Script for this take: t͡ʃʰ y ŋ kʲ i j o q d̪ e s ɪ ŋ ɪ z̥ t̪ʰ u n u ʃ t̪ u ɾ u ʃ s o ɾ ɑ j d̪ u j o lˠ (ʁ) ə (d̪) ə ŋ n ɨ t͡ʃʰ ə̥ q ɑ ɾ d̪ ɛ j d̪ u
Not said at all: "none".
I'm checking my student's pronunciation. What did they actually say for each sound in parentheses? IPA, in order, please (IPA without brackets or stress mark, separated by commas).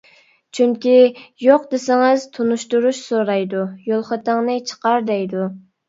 χ, t̪